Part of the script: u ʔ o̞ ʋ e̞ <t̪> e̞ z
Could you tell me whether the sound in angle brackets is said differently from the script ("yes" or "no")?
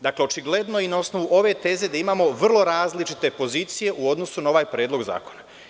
no